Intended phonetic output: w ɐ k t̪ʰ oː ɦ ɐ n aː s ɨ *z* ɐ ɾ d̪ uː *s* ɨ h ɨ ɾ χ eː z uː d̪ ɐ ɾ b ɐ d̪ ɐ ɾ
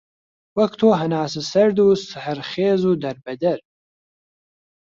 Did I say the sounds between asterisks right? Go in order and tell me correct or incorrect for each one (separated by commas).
incorrect, correct